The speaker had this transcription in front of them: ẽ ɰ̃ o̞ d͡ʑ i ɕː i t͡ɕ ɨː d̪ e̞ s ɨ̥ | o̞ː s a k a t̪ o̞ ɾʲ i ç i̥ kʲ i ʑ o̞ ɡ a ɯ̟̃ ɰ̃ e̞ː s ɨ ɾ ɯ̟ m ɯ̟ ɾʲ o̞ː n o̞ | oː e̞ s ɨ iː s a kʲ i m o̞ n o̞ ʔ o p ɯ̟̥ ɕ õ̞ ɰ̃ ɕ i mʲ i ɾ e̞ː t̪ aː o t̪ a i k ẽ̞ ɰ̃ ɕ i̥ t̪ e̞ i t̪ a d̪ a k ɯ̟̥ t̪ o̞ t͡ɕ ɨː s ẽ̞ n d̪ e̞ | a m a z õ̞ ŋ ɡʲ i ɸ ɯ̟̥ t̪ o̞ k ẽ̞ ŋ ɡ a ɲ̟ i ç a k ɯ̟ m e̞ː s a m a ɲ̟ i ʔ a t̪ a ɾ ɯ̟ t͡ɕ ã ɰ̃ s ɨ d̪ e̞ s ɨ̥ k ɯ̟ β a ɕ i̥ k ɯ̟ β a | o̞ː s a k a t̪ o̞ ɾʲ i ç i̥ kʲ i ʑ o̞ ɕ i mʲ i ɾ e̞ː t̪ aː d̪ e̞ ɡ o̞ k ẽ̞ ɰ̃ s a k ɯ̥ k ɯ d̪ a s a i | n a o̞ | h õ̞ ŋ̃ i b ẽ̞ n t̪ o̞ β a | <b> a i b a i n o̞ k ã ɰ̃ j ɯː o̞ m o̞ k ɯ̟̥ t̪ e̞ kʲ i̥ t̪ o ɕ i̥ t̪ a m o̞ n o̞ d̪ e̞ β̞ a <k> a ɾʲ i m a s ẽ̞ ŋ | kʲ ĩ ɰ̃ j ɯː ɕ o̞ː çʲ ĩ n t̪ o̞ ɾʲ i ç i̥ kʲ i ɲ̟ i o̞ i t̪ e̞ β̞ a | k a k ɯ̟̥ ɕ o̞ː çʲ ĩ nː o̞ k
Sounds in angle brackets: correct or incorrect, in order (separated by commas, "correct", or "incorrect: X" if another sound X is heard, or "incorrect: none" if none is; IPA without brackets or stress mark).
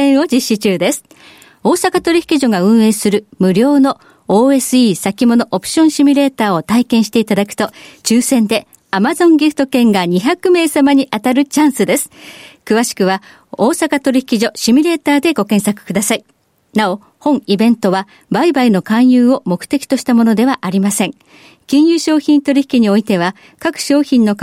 correct, incorrect: ʔ